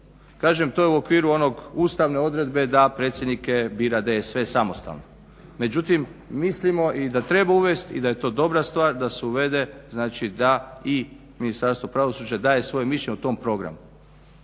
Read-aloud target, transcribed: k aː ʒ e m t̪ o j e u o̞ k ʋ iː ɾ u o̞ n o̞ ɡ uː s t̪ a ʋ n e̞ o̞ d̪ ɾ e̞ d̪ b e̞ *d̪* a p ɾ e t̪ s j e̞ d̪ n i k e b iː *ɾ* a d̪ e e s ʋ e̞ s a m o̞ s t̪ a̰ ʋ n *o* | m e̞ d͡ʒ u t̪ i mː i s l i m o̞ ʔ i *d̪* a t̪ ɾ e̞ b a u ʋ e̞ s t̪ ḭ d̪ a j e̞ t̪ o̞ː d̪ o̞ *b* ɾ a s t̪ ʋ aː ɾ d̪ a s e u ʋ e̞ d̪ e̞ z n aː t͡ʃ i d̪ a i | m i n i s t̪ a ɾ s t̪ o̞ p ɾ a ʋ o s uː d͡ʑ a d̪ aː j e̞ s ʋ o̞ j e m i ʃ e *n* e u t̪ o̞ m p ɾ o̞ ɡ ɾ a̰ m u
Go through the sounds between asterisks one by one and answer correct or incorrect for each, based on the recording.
correct, correct, correct, correct, correct, incorrect

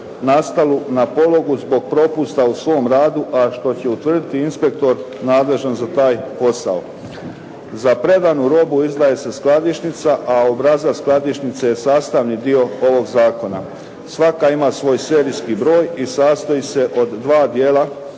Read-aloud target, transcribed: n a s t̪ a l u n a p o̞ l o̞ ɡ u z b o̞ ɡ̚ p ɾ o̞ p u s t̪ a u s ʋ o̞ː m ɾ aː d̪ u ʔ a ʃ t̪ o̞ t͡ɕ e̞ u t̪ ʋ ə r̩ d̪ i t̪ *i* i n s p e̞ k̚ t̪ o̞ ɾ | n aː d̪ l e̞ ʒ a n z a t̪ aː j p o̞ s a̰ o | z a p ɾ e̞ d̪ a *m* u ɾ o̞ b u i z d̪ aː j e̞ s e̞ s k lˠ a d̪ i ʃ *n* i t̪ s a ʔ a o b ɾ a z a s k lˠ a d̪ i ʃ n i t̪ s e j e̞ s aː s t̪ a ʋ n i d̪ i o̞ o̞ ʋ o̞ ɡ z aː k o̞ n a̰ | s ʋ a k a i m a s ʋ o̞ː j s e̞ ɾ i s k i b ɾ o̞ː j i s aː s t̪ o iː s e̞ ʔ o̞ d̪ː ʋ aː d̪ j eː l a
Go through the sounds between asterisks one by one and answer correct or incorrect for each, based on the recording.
correct, incorrect, correct

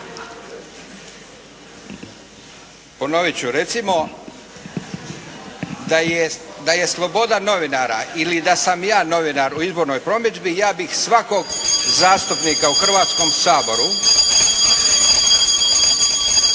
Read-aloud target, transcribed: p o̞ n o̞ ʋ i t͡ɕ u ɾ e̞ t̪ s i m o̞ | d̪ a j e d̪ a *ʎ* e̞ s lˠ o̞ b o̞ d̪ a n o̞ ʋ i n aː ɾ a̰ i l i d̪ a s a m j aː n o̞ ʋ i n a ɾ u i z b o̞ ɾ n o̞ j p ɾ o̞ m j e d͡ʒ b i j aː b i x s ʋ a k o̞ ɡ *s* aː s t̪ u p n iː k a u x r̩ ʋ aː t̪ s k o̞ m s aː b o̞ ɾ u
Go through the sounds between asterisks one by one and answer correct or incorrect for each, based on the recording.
incorrect, incorrect

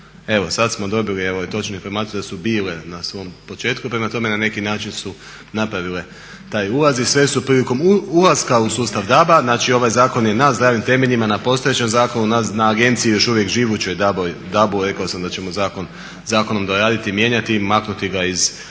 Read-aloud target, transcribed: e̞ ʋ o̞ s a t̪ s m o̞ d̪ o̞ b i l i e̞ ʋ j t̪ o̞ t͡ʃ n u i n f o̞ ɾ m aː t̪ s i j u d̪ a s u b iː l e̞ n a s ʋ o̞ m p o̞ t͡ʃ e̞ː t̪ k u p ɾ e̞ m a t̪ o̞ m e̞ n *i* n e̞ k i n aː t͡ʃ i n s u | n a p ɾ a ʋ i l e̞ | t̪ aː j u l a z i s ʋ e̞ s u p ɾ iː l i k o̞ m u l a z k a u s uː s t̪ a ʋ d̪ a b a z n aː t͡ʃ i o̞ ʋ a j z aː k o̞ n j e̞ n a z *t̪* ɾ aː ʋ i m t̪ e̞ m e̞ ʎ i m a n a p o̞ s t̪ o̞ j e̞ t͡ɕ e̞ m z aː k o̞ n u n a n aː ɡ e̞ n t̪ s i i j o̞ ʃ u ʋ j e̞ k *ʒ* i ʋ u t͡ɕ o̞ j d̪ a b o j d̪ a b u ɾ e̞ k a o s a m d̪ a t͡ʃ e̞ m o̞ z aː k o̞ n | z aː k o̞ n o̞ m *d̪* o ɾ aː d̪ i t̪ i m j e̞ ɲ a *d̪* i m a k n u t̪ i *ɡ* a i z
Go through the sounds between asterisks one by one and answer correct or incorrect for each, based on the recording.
incorrect, incorrect, correct, correct, incorrect, correct

